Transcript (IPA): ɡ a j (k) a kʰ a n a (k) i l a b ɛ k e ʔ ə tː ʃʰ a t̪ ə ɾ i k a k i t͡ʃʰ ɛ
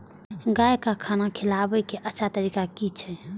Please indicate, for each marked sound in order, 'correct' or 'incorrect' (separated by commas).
correct, incorrect